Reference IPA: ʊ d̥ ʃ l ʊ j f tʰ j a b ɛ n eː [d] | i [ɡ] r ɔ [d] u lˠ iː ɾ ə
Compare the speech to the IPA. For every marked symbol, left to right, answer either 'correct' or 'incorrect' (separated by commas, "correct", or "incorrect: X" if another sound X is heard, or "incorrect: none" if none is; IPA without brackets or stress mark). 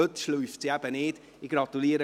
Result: correct, correct, correct